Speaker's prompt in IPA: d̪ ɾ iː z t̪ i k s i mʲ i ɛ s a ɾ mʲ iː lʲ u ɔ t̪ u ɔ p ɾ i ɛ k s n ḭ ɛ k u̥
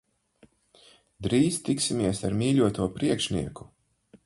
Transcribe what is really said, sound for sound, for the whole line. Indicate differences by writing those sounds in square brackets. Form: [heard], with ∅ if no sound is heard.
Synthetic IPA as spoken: d̪ ɾ iː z t̪ i k s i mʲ i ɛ s a ɾ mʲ iː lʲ u ɔ t̪ u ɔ p ɾ i ɛ k [ʃ] n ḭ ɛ k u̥